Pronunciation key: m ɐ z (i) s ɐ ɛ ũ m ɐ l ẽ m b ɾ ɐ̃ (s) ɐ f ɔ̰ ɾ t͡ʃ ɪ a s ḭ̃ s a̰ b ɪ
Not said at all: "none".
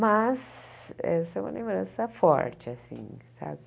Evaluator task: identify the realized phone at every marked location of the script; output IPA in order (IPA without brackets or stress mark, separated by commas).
ɛ, s